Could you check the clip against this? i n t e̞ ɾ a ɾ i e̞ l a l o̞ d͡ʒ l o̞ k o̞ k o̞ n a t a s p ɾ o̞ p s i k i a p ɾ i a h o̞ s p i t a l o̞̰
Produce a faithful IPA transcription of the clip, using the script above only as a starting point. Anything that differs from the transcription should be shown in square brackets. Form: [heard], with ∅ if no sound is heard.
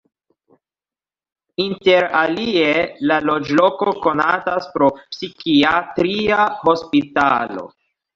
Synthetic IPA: i n t e̞ ɾ a [l] i e̞ l a l o̞ d͡ʒ l o̞ k o̞ k o̞ n a t a s p ɾ o̞ p s i k i a [t] ɾ i a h o̞ s p i t a l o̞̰